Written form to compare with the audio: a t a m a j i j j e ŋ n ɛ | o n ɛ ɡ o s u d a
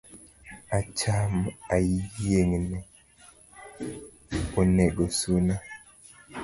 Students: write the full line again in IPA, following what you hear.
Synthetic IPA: a t͡ʃ a m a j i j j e ŋ n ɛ | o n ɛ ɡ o s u n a